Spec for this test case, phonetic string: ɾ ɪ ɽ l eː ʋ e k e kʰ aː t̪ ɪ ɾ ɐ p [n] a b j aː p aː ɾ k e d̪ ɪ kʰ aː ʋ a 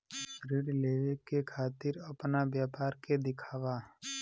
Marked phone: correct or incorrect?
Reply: correct